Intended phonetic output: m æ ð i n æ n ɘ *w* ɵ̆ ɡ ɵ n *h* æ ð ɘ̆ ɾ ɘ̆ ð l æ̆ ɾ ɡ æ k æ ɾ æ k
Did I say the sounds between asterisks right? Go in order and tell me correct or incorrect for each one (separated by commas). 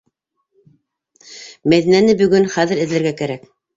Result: incorrect, incorrect